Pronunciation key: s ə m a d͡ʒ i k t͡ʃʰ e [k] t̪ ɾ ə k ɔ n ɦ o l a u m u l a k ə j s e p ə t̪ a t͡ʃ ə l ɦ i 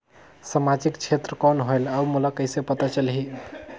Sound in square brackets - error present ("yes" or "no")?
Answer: yes